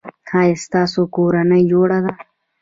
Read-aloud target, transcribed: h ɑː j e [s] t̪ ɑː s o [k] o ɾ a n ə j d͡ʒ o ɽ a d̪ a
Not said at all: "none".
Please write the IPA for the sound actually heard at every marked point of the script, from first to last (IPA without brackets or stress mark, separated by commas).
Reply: s, k